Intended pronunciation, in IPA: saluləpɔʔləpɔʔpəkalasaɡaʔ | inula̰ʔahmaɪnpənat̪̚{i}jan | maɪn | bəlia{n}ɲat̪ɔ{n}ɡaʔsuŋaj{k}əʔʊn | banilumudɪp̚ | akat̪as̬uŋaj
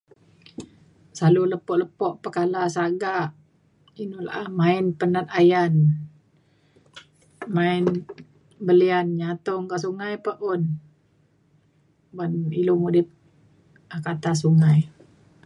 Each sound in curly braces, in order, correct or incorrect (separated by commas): incorrect, correct, incorrect, incorrect